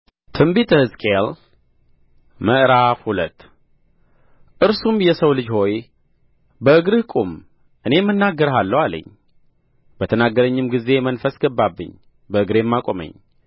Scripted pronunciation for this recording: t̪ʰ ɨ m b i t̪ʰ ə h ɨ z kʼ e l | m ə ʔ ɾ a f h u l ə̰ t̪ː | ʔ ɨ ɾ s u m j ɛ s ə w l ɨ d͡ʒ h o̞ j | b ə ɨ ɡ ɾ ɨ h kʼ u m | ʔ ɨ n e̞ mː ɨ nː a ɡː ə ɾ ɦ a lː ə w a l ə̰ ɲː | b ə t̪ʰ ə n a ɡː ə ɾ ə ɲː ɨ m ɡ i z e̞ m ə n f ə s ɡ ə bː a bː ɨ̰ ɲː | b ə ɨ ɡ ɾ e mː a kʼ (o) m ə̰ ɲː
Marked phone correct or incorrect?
correct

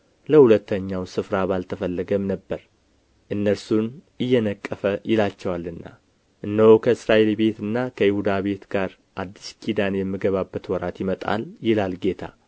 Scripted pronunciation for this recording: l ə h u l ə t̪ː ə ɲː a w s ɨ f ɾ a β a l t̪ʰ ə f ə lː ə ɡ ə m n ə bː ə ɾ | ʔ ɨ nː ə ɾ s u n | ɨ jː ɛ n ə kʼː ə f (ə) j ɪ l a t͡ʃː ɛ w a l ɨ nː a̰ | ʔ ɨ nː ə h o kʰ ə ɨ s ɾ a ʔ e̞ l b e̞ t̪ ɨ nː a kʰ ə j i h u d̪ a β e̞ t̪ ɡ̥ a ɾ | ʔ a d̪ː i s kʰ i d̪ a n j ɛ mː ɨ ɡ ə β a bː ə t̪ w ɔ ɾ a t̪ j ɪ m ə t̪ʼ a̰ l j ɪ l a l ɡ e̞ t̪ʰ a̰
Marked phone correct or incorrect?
correct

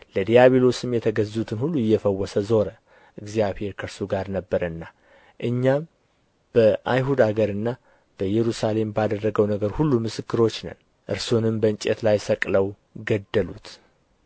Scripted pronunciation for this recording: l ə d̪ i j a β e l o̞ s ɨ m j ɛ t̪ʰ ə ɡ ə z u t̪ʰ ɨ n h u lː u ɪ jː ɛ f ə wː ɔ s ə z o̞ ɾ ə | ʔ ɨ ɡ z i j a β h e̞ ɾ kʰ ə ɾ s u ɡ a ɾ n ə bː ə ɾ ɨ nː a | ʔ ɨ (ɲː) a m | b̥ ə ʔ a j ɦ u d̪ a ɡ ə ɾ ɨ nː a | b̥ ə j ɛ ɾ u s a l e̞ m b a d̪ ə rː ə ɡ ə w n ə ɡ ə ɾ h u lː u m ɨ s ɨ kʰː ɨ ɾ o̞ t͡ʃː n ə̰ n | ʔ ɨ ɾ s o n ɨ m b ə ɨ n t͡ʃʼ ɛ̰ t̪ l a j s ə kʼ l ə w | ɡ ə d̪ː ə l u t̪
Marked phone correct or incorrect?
correct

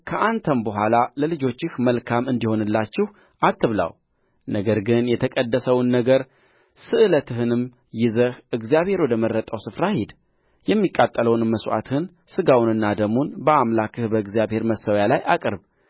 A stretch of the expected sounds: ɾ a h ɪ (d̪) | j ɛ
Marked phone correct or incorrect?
correct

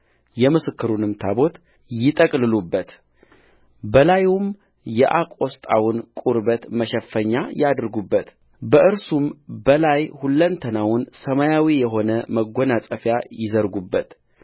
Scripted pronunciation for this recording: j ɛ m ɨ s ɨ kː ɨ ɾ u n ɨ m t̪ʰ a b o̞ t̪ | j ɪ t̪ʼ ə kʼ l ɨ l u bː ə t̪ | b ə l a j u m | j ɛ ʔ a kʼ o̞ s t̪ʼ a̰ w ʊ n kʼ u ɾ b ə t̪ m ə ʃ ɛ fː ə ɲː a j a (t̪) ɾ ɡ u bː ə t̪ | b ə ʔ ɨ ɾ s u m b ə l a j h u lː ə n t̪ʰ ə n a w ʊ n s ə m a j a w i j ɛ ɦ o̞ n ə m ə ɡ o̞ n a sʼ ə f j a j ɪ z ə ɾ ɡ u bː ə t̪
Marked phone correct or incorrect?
incorrect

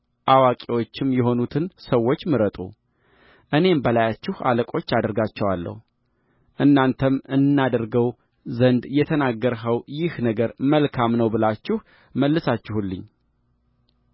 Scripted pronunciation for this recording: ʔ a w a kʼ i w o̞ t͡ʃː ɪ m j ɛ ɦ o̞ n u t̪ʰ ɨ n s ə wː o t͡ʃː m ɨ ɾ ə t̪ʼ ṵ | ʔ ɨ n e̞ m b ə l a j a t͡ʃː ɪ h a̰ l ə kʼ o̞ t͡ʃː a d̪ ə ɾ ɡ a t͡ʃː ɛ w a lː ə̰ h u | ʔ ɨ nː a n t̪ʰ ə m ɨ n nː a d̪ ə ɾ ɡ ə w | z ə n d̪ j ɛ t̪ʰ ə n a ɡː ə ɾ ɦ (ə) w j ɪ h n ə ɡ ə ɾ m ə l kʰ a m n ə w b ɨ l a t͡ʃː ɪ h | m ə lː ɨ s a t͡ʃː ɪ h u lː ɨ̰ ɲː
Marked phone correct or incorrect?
correct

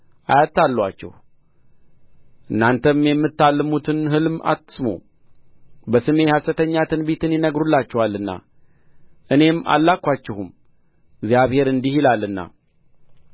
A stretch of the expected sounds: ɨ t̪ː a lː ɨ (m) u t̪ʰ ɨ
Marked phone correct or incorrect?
correct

